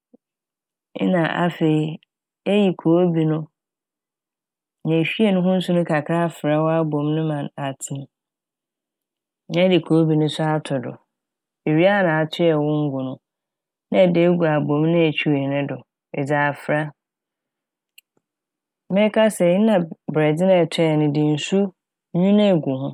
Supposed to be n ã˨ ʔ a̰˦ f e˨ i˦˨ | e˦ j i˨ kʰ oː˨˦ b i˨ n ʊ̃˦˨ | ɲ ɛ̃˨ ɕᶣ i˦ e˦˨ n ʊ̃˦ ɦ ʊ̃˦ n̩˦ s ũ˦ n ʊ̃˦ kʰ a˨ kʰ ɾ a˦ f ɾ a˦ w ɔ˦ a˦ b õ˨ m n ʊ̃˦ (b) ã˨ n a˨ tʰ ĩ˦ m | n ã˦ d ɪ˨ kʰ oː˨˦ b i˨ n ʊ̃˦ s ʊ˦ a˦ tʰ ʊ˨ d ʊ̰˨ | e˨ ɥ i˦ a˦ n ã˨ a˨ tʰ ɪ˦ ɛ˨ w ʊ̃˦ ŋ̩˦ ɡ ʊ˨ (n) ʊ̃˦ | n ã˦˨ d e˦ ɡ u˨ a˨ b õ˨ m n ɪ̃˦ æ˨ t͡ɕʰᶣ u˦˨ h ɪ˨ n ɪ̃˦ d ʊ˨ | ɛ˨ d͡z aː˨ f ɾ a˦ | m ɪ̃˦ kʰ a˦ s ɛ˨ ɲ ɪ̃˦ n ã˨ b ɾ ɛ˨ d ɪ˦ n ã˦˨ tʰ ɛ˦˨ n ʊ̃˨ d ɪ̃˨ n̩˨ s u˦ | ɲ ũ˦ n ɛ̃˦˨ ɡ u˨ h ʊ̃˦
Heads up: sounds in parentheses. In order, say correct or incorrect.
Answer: incorrect: m, correct

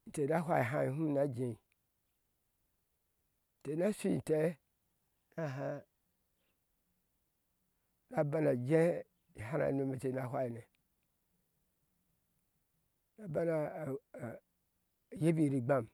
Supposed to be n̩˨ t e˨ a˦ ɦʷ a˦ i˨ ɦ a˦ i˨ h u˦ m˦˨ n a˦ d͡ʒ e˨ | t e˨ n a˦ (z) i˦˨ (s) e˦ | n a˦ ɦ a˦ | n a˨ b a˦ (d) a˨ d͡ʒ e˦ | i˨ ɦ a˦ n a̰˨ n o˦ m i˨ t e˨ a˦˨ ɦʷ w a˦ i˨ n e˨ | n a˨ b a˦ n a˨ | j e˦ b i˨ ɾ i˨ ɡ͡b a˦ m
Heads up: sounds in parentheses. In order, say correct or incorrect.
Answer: incorrect: s, incorrect: t, incorrect: n

